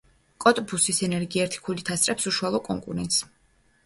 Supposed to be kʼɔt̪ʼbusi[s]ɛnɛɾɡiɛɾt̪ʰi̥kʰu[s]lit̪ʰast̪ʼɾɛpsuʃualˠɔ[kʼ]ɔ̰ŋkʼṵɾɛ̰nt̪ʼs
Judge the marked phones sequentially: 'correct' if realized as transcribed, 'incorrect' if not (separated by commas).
correct, incorrect, correct